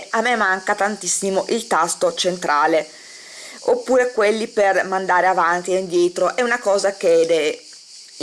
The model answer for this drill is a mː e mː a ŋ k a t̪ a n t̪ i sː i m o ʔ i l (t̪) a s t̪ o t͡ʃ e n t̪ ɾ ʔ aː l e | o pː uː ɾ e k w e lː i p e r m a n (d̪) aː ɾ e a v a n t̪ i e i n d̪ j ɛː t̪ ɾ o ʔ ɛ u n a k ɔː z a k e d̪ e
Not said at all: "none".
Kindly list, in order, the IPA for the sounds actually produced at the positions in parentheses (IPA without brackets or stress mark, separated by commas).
t̪, d̪